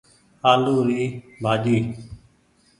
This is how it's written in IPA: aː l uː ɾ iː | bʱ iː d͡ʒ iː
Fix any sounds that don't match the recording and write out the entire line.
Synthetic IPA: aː l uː ɾ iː | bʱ aː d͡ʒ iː